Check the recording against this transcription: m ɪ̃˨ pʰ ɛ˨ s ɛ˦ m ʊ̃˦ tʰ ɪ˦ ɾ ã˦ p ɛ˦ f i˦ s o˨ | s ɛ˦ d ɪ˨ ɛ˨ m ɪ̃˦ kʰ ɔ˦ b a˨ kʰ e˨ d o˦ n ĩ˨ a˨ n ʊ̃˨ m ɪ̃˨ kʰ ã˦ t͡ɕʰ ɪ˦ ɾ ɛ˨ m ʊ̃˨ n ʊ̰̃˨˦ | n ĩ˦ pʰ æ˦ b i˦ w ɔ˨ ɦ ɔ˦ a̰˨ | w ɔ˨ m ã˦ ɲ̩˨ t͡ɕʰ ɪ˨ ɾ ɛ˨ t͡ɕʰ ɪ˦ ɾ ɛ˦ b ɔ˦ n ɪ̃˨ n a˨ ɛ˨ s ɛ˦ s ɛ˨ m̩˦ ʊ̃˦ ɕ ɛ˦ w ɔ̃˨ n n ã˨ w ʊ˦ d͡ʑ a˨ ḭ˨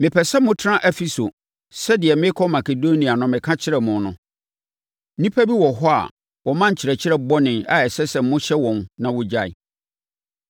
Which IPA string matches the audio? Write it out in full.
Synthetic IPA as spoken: m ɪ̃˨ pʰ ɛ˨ s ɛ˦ m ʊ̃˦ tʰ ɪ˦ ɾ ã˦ ʔ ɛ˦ f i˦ s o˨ | s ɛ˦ d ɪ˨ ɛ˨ m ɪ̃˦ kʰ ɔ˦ m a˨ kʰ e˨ d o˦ n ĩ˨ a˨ n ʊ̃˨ m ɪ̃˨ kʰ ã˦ t͡ɕʰ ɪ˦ ɾ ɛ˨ m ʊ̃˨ n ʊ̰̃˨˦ | n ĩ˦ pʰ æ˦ b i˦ w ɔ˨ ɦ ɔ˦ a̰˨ | w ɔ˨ m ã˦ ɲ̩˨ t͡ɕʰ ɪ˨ ɾ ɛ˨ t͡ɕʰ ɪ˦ ɾ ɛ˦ b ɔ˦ n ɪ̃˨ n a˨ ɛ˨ s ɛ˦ s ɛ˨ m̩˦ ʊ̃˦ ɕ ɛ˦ w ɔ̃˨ n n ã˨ w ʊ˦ d͡ʑ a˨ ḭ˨

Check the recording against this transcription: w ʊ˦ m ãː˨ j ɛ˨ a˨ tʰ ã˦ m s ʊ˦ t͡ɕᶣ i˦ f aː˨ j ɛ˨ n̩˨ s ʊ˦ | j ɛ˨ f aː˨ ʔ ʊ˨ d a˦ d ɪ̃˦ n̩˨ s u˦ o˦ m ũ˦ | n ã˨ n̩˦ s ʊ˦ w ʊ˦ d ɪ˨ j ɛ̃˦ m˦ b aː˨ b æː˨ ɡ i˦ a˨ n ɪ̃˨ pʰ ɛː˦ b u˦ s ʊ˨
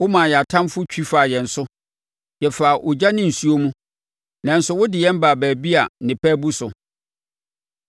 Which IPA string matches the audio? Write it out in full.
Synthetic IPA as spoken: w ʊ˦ m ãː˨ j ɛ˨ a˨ tʰ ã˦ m f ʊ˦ t͡ɕᶣ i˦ f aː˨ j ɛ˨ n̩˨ s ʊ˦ | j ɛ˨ f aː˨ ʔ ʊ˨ d͡ʑ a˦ n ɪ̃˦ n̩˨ s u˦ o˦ m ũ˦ | n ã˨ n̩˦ s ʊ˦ w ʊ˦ d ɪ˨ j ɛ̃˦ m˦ b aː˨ b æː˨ b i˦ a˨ n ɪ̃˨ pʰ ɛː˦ b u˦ s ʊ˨

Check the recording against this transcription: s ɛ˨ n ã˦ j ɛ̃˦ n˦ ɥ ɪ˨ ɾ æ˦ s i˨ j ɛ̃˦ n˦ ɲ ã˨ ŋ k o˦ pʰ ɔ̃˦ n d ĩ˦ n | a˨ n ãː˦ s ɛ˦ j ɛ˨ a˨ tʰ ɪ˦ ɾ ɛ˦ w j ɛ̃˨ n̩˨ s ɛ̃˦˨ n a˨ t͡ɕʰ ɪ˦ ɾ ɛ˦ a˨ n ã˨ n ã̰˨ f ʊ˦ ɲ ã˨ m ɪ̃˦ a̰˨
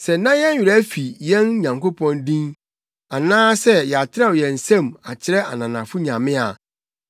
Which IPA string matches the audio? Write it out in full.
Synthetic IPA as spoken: s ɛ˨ n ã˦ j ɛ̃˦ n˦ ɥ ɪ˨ ɾ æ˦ f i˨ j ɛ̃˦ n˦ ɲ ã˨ ŋ k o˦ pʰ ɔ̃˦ n d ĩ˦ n | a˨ n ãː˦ s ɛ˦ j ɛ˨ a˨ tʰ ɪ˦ ɾ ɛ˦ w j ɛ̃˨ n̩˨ s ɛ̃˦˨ m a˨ t͡ɕʰ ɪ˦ ɾ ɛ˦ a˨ n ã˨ n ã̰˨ f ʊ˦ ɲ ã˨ m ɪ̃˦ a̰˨

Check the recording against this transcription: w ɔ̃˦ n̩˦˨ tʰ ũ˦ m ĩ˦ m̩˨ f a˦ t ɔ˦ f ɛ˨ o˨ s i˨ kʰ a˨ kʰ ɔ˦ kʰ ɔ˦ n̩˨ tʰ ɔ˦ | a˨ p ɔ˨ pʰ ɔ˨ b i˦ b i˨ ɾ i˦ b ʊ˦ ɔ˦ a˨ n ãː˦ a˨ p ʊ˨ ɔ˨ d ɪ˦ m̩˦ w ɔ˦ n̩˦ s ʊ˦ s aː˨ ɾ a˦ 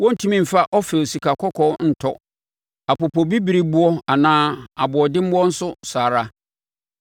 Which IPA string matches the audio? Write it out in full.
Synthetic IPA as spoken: w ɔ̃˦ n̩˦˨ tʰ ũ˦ m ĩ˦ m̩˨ f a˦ ʔ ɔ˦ f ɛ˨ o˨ s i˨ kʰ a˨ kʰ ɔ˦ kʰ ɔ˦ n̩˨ tʰ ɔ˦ | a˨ p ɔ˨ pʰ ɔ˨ b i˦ b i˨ ɾ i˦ b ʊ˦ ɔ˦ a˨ n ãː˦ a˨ b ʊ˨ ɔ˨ d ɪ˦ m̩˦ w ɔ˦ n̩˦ s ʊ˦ s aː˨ ɾ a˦

